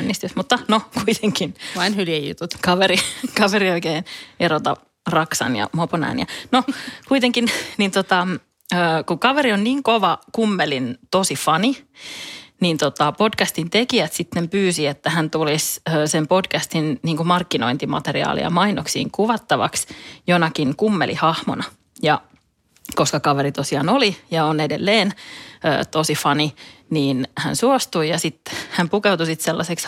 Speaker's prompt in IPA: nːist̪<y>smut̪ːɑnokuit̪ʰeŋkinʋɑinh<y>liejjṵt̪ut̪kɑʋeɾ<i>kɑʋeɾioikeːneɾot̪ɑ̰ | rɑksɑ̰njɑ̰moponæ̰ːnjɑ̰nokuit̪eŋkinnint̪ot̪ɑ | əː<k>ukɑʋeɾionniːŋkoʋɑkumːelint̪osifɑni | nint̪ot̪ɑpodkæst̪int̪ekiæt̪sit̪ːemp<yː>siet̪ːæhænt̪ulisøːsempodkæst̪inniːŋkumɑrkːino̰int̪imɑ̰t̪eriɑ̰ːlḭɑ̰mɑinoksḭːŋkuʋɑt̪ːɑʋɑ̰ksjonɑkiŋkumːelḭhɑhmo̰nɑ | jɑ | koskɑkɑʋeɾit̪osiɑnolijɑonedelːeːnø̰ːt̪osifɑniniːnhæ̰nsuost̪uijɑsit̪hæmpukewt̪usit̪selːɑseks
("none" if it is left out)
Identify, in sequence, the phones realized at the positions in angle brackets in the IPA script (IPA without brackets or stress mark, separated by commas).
y, y, i, k, yː